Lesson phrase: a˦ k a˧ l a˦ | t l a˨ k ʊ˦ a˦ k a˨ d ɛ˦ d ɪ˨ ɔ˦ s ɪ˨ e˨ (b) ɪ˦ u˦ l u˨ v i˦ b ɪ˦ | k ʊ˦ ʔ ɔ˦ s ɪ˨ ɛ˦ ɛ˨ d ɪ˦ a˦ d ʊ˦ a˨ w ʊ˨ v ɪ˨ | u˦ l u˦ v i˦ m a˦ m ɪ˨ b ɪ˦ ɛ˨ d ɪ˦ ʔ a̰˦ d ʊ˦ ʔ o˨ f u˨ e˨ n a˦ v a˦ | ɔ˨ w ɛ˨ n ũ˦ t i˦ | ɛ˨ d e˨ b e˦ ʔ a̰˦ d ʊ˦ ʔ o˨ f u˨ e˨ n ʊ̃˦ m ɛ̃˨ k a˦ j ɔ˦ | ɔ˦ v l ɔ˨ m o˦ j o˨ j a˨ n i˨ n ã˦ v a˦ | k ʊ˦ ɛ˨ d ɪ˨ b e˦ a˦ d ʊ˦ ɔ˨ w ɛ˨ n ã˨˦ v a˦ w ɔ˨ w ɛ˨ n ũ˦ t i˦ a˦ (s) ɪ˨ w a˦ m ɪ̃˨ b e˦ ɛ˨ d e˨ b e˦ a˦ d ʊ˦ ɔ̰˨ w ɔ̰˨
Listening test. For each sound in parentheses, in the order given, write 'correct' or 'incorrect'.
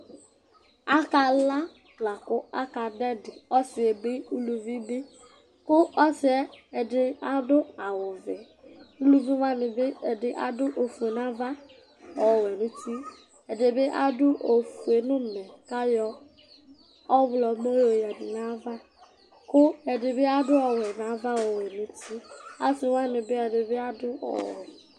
correct, correct

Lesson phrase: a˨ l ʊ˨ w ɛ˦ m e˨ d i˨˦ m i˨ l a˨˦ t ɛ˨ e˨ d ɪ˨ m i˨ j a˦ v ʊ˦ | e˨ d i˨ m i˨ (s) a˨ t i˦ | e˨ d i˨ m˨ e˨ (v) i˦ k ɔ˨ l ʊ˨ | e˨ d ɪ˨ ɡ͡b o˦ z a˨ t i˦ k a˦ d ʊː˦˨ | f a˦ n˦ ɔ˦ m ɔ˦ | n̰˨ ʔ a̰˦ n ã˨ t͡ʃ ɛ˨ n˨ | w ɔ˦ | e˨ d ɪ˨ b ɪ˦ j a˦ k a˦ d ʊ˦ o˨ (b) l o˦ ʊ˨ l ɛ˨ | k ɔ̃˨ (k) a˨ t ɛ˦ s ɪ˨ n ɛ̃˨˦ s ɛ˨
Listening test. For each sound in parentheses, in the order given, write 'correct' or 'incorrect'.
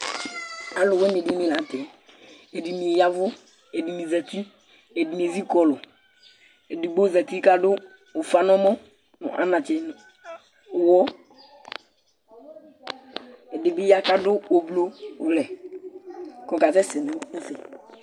incorrect, incorrect, correct, correct

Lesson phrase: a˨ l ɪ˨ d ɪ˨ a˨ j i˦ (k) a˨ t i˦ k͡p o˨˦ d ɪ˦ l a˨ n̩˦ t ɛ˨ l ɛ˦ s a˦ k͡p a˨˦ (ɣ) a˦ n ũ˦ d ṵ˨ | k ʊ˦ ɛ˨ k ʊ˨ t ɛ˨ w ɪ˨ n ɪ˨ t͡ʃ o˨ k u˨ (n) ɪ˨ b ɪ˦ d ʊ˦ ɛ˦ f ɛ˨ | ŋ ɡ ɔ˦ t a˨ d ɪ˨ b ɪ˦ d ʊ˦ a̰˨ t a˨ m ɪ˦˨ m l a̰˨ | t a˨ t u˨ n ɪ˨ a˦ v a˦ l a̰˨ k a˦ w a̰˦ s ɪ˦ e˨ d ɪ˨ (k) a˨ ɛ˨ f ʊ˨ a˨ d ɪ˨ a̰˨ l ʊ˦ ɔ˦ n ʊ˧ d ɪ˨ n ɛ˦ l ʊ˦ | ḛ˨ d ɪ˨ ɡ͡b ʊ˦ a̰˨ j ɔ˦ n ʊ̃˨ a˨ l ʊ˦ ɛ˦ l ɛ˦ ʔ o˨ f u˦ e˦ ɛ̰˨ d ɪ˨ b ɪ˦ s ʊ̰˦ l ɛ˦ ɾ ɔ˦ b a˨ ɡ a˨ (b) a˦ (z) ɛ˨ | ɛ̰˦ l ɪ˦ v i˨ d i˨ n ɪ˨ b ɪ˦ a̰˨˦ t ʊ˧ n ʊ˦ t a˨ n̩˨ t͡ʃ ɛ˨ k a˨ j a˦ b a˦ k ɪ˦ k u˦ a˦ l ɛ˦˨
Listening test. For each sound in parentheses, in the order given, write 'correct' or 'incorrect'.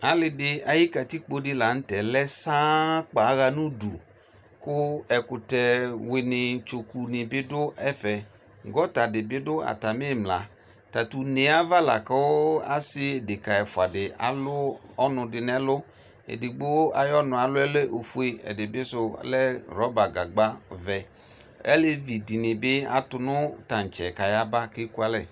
correct, correct, correct, correct, incorrect, incorrect

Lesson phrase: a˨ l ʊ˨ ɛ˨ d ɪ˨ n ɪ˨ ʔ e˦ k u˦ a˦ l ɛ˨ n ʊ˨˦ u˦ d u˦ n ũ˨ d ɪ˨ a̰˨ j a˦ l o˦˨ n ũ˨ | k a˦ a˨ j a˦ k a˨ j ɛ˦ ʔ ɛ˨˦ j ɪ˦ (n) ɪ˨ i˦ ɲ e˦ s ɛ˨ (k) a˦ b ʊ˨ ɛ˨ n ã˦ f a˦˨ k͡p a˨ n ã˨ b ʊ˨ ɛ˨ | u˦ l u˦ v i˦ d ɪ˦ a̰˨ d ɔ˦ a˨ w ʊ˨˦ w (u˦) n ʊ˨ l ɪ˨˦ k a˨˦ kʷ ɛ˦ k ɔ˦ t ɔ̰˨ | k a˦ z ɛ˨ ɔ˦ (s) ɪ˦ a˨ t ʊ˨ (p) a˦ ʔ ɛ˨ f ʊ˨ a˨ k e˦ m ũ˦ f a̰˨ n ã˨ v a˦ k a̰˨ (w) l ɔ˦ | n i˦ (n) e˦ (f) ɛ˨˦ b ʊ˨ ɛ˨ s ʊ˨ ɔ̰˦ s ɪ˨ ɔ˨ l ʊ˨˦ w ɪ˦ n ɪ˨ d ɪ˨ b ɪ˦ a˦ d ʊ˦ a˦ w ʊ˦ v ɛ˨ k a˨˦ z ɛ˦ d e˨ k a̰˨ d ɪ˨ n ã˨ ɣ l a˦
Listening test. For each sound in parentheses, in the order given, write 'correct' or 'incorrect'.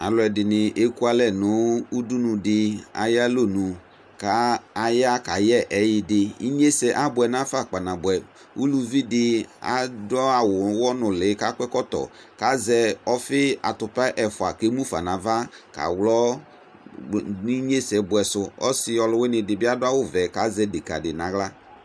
incorrect, incorrect, incorrect, incorrect, correct, correct, incorrect, incorrect

